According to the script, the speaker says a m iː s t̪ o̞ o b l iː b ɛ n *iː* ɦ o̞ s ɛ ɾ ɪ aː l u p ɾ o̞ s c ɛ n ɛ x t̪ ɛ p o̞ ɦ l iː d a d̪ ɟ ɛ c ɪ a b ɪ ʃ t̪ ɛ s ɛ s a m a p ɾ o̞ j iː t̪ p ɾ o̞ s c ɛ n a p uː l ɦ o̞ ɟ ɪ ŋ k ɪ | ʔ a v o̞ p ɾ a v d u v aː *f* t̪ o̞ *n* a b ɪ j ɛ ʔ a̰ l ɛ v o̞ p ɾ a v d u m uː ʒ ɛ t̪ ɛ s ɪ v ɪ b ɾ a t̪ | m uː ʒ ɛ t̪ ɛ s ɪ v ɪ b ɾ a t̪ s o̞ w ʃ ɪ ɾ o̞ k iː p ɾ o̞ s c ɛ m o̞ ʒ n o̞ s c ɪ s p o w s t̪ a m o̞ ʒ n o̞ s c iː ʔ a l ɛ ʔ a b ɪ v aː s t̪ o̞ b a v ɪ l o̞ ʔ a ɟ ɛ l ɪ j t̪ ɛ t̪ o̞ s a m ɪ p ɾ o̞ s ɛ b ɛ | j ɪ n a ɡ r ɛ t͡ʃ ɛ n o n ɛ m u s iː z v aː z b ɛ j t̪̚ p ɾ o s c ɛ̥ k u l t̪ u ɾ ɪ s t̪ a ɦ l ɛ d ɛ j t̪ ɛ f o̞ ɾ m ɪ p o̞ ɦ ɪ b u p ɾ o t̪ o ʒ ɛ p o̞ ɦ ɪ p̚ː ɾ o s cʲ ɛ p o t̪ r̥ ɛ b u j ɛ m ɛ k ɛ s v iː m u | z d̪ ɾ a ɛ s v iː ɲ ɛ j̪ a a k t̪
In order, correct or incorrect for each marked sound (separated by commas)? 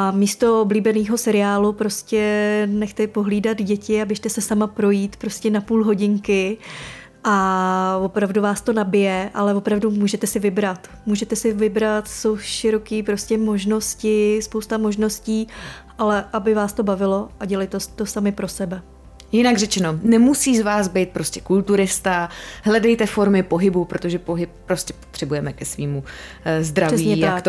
correct, incorrect, correct